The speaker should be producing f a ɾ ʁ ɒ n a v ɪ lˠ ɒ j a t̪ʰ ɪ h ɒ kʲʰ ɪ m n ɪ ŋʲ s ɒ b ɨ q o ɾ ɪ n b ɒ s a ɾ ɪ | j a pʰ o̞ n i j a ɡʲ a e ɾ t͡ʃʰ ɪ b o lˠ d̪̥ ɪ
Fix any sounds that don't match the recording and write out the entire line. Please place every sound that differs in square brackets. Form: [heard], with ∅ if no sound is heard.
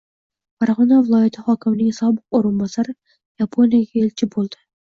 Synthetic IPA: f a ɾ ʁ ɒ n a v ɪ lˠ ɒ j a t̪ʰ ɪ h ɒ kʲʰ ɪ m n ɪ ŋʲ s ɒ b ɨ q o ɾ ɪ n b ɒ s a ɾ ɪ | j a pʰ o̞ n i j a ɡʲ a e [l] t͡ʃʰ ɪ b o lˠ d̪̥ ɪ